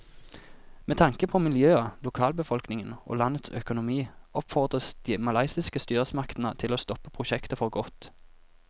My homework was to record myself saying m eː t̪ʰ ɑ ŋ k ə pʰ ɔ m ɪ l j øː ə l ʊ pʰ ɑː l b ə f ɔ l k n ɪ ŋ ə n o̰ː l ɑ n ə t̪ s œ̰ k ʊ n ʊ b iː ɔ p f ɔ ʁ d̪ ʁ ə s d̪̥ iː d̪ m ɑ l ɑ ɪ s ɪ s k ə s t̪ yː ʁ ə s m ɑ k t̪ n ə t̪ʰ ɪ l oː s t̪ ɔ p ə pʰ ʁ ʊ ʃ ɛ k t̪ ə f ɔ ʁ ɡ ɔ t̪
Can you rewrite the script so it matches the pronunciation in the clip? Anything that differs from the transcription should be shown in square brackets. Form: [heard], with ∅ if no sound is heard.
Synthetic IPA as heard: m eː t̪ʰ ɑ ŋ k ə pʰ ɔ m ɪ l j øː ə l ʊ [kʰ] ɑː l b ə f ɔ l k n ɪ ŋ ə n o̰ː l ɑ n ə t̪ s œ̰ k ʊ n ʊ [m] iː ɔ p f ɔ ʁ d̪ ʁ ə s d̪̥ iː [∅] m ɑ l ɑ ɪ s ɪ s k ə s t̪ yː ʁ ə s m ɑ k t̪ n ə t̪ʰ ɪ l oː s t̪ ɔ p ə pʰ ʁ ʊ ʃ ɛ k t̪ ə f ɔ ʁ ɡ ɔ t̪